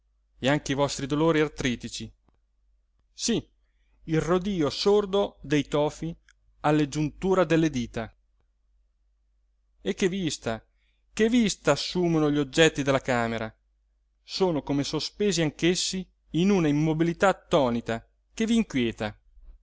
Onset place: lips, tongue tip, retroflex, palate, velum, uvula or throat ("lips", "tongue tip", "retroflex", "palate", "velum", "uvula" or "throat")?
velum